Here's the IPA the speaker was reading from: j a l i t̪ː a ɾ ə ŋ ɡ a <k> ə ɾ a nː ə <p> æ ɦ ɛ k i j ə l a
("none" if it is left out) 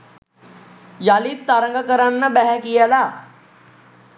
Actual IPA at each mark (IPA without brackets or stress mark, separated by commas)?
k, b